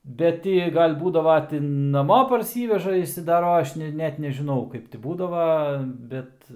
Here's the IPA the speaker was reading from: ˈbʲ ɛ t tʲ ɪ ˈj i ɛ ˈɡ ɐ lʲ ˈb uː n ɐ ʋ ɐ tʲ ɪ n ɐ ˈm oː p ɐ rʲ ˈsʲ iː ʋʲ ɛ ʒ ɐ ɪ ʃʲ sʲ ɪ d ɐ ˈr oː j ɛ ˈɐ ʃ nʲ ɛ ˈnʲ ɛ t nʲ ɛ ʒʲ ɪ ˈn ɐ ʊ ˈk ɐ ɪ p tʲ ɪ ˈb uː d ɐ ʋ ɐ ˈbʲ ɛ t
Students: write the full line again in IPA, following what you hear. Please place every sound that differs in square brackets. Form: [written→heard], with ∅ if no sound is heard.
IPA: ˈbʲ ɛ t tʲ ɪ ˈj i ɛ ˈɡ ɐ lʲ ˈb uː [n→d] ɐ ʋ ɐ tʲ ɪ n ɐ ˈm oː p ɐ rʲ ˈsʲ iː ʋʲ ɛ ʒ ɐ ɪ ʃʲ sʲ ɪ d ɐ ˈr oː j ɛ ˈɐ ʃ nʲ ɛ ˈnʲ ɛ t nʲ ɛ ʒʲ ɪ ˈn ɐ ʊ ˈk ɐ ɪ p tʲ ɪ ˈb uː d ɐ ʋ ɐ ˈbʲ ɛ t